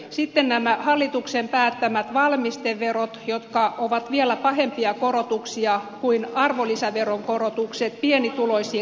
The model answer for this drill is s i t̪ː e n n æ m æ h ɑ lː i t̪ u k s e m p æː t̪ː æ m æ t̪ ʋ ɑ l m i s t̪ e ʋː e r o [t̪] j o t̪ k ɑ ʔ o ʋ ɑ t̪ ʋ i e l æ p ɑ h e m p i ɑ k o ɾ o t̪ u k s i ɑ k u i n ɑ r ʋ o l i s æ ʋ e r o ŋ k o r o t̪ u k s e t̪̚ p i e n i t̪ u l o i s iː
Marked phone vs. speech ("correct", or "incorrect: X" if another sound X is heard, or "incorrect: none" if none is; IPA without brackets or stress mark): correct